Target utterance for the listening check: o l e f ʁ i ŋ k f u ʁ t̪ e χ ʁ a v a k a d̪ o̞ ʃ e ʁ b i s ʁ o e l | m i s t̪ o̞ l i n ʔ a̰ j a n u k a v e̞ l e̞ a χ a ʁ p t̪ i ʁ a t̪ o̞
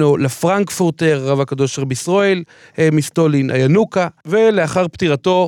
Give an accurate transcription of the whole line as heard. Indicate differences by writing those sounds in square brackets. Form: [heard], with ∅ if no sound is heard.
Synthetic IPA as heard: o l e f ʁ [a] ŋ k f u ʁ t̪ e [ʁ] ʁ a v a k a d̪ o̞ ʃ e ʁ b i s ʁ o e l | m i s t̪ o̞ l i n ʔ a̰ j a n u k a v e̞ l e̞ a χ a ʁ p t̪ i ʁ a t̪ o̞